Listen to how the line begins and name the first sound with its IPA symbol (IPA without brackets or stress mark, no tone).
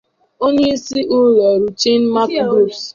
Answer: o